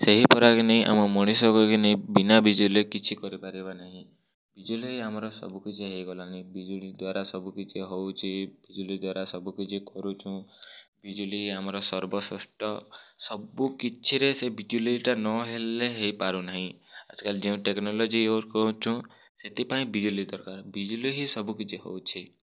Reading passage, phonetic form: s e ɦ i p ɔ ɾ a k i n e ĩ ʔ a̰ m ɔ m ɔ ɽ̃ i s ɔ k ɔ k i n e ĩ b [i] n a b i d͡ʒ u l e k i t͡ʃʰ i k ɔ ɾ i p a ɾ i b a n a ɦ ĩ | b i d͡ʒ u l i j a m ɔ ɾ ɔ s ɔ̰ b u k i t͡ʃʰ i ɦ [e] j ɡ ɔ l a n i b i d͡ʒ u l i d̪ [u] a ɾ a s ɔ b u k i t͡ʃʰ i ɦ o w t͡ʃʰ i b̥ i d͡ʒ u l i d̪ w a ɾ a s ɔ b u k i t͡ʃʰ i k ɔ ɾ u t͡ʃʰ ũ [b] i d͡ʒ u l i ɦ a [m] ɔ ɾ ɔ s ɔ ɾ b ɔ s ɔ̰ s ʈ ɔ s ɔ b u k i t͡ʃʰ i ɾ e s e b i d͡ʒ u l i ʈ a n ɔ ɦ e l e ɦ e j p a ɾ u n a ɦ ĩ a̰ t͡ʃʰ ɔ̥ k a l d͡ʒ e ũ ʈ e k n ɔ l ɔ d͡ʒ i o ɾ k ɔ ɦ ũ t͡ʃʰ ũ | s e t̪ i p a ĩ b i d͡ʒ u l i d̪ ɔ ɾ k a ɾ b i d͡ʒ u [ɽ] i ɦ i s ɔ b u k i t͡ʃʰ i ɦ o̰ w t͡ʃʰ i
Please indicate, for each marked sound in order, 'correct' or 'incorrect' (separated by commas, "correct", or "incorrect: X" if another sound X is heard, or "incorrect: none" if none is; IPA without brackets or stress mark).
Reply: correct, correct, incorrect: w, correct, correct, incorrect: l